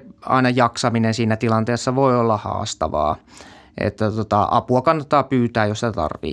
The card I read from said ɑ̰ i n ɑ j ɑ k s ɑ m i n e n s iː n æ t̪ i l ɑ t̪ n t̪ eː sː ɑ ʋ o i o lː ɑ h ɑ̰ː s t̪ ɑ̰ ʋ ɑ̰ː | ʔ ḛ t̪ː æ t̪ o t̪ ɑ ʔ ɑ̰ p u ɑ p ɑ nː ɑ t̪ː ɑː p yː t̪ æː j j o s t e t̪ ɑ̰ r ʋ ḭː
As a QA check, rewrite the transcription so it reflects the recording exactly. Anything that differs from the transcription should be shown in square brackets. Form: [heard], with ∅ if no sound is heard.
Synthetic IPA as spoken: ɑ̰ i n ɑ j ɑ k s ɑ m i n e n s iː n æ t̪ i l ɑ [∅] n t̪ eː sː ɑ ʋ o i o lː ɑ h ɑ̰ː s t̪ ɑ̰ ʋ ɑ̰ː | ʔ ḛ t̪ː æ t̪ o t̪ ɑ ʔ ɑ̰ p u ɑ [k] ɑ nː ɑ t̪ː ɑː p yː t̪ æː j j o s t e t̪ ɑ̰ r ʋ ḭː